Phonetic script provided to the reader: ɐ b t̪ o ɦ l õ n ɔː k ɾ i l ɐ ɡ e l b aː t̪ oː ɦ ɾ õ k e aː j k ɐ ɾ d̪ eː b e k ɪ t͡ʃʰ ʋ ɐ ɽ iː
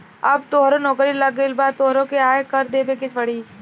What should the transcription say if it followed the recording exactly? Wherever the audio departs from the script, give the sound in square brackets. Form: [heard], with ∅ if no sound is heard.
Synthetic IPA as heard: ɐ b t̪ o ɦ [ɾ] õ n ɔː k ɾ i l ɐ ɡ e l b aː t̪ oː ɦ ɾ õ k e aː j k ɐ ɾ d̪ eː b e k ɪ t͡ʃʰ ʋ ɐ ɽ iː